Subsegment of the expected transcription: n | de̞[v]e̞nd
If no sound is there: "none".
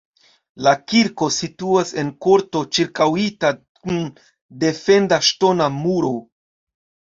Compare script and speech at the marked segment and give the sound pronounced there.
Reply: f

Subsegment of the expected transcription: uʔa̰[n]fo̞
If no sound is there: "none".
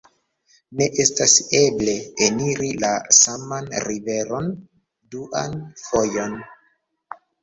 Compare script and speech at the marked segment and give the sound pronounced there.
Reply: n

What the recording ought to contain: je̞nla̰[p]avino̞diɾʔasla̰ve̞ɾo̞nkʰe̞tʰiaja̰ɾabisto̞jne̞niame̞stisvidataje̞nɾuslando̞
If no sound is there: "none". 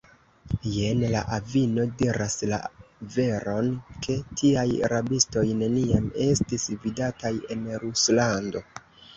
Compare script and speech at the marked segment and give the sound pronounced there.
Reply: ʔ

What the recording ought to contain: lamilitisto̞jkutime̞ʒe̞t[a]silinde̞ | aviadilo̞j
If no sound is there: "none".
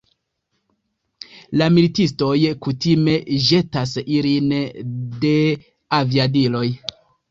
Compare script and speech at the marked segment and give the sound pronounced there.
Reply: a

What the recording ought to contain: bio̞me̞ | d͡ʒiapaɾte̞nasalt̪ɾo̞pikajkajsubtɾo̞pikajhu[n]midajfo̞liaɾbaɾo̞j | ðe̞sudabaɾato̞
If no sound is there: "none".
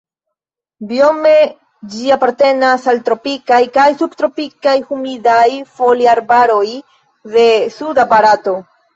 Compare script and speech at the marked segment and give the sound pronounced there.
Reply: none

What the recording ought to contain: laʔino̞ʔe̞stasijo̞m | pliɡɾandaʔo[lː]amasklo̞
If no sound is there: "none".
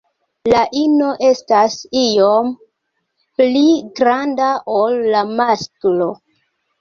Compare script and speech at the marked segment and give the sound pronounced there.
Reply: lː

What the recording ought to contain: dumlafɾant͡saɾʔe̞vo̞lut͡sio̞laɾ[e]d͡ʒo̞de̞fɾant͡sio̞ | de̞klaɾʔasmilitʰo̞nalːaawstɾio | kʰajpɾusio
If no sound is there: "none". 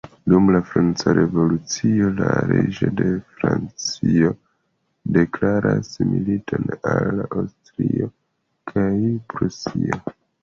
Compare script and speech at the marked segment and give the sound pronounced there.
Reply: e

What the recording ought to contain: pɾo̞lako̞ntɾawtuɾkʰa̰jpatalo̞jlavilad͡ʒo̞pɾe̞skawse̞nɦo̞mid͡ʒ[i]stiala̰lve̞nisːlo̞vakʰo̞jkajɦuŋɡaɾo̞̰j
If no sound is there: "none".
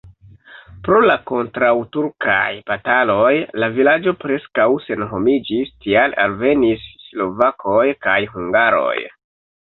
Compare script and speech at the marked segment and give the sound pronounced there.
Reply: i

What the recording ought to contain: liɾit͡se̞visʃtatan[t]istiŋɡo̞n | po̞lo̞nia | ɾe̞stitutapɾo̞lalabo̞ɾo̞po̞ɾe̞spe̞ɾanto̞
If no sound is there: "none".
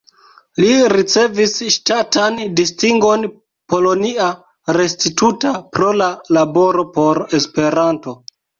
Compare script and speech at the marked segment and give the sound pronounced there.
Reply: d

